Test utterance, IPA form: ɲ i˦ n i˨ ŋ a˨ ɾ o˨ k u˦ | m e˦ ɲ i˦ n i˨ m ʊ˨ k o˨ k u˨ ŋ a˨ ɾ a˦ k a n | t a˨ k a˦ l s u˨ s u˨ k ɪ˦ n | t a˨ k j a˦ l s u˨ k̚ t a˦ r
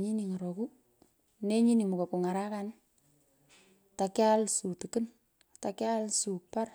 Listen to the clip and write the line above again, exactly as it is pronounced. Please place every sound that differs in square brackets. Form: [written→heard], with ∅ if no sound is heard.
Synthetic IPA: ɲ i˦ n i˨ ŋ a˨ ɾ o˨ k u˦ | [m→n] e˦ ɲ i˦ n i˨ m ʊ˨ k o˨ k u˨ ŋ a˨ ɾ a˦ k a n | t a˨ k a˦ l s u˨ [s→t] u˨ k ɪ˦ n | t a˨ k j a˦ l s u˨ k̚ [t→p] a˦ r